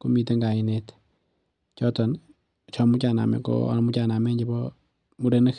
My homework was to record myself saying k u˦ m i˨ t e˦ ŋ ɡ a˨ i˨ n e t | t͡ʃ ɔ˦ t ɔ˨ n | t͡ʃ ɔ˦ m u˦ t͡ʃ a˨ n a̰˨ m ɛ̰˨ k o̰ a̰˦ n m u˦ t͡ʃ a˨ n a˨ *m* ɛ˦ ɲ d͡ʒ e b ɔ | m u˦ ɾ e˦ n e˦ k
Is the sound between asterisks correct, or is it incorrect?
correct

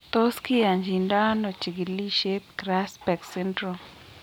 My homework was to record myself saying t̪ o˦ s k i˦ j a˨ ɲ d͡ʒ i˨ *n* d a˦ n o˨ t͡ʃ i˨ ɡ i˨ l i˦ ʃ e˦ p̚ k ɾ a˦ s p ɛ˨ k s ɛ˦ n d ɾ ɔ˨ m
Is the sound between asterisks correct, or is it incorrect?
correct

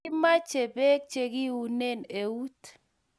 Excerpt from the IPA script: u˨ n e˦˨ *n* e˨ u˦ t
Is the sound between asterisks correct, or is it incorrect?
correct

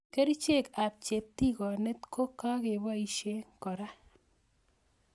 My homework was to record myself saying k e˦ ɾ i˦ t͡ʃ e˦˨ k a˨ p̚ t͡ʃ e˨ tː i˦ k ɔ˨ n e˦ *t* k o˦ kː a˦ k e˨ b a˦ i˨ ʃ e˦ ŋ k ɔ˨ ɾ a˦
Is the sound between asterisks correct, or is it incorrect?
correct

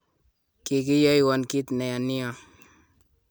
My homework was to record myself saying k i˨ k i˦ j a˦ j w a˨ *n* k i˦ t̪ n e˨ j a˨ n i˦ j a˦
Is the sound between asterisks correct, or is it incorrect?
correct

